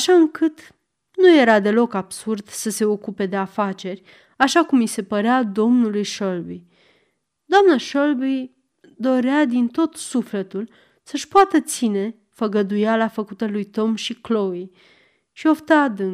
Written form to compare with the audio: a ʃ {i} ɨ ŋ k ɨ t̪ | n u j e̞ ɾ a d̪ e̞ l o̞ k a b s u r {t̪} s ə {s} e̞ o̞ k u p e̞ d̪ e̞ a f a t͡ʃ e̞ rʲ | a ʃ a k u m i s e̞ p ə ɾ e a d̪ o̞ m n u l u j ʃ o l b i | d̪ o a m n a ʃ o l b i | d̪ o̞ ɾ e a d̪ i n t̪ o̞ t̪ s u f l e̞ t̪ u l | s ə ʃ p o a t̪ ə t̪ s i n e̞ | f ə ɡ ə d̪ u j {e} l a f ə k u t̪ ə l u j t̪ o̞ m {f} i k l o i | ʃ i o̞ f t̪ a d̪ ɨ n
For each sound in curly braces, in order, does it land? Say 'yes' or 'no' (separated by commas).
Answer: no, no, yes, no, no